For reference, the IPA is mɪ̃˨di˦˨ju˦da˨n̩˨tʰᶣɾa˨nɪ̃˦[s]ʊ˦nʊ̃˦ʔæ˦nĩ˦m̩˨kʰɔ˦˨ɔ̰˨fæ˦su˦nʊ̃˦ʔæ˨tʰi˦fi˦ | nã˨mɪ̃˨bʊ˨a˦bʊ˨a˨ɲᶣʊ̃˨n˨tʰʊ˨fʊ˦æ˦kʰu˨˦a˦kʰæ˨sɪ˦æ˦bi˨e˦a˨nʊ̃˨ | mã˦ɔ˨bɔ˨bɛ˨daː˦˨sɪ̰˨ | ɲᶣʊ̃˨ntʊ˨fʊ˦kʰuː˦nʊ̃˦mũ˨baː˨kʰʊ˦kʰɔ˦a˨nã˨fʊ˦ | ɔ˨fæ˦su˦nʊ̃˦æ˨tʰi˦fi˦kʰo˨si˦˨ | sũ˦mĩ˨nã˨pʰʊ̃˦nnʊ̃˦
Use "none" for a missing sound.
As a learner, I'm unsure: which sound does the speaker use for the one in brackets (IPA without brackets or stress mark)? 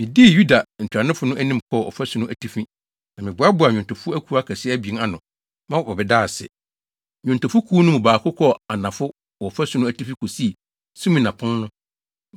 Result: f